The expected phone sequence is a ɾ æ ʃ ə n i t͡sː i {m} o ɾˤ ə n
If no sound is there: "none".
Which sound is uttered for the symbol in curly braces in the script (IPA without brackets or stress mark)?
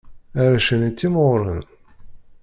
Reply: m